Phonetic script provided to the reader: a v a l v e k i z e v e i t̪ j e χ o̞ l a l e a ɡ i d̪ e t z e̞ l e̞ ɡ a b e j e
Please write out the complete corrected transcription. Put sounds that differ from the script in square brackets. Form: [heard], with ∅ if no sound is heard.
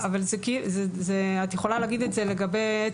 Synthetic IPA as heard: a v a l [z] e k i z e [z] e [a] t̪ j e χ o̞ l a l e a ɡ i d̪ e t z e̞ l e̞ ɡ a b e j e